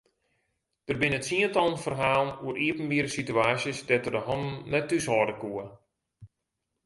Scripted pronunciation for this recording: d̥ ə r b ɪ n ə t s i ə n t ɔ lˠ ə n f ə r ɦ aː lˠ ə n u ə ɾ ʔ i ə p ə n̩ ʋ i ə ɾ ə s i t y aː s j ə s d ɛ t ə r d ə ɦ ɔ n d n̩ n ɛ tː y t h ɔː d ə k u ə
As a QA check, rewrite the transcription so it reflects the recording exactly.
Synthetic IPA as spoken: d̥ ə r b ɪ n ə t s i ə n t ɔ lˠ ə n f ə r ɦ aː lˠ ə n u ə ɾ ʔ i ə p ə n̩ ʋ i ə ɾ ə s i t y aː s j ə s d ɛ t ə r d ə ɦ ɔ n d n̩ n ɛ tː y s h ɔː d ə k u ə